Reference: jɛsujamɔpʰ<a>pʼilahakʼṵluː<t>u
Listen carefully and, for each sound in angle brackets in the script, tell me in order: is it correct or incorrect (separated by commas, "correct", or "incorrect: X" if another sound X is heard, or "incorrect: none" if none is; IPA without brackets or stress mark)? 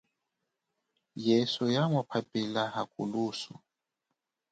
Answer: correct, incorrect: s